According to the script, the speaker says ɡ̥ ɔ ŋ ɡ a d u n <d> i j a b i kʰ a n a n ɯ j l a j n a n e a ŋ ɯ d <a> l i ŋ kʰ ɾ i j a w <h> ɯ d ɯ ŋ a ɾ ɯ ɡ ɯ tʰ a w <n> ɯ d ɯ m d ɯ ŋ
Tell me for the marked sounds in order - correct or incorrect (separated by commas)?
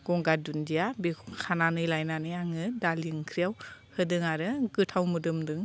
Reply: correct, correct, correct, incorrect